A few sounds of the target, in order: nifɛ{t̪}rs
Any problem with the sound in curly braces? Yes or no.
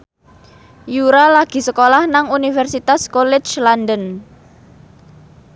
yes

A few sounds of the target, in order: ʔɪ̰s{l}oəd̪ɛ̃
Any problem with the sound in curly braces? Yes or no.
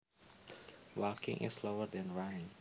no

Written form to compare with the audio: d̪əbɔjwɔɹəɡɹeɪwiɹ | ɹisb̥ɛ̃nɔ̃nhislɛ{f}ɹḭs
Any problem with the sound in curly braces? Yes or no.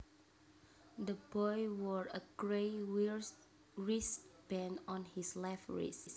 no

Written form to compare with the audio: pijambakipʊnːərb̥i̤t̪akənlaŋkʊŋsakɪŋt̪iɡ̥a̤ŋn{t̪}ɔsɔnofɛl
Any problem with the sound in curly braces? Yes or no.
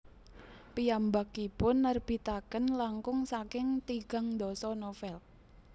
yes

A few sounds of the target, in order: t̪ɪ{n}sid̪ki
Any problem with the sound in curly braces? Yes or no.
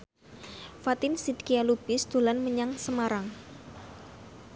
no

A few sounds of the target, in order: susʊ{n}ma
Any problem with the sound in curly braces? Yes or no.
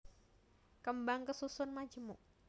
no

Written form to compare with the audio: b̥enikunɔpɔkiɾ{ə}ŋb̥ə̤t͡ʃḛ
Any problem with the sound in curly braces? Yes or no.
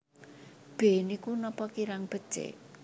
yes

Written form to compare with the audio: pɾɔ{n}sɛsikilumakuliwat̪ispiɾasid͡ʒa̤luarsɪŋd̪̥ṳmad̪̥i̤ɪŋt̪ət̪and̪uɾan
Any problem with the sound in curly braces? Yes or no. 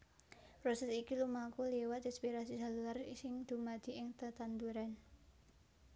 yes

